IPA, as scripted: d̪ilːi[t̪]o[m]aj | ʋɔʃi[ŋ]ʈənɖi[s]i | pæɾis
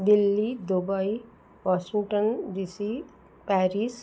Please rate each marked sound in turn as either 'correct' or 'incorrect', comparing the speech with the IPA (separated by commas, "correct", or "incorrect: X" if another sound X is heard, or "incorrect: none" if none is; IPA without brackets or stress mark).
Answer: incorrect: d̪, incorrect: b, correct, correct